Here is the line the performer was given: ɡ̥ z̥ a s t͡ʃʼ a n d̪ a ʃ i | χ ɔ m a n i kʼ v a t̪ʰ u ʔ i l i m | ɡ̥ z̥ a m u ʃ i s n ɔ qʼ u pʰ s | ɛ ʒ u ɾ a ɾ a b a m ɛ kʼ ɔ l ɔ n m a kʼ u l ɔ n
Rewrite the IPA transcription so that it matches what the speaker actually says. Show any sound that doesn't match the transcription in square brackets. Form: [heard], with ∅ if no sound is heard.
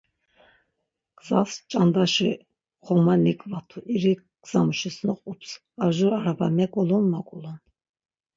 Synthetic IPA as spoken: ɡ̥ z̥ a s t͡ʃʼ a n d̪ a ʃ i | χ ɔ m a n i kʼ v a t̪ʰ u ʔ i [ɾ] i [∅] | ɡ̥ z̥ a m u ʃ i s n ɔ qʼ u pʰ s | [a] ʒ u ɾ a ɾ a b a m ɛ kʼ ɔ l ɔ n m a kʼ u l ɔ n